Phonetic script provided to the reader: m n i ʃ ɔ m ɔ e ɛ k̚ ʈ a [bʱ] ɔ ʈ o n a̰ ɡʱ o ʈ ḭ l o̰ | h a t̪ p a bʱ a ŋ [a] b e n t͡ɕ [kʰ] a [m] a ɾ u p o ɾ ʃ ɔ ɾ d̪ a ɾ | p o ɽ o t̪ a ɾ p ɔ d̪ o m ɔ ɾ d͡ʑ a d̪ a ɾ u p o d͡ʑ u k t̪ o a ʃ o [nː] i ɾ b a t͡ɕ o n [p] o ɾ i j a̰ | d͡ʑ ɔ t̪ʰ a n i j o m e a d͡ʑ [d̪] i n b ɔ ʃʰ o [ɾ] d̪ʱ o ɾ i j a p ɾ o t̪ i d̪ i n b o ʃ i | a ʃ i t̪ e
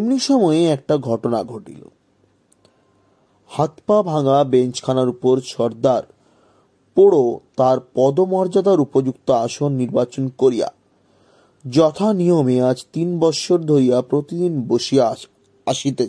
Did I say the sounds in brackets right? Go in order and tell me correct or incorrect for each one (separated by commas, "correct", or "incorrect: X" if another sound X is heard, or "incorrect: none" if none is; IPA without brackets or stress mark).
incorrect: ɡʱ, correct, correct, incorrect: n, correct, incorrect: k, incorrect: t̪, correct